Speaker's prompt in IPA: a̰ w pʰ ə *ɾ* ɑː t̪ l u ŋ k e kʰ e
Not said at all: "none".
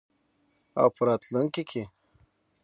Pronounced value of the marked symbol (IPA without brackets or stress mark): ɾ